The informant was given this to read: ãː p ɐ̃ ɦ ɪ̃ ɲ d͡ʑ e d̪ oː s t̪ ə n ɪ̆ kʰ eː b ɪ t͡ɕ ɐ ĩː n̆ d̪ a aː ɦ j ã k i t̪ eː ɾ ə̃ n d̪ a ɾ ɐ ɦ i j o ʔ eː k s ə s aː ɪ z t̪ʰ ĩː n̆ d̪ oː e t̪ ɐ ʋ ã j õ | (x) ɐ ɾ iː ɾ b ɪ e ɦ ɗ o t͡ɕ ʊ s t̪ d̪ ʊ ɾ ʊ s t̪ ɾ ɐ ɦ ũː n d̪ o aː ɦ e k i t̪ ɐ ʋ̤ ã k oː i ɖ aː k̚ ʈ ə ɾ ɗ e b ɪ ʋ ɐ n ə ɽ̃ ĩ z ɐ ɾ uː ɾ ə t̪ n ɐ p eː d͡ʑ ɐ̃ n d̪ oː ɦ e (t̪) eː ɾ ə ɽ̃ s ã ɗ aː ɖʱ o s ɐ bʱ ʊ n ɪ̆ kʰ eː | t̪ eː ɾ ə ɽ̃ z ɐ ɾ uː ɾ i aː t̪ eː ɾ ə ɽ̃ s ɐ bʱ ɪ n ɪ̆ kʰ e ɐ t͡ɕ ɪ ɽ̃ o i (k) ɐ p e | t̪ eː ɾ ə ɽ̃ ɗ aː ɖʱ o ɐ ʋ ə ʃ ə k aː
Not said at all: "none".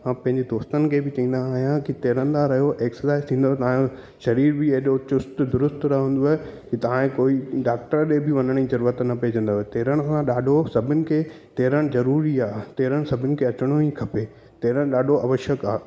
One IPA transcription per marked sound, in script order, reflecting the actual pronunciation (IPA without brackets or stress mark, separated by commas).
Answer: ʃ, t̪, kʰ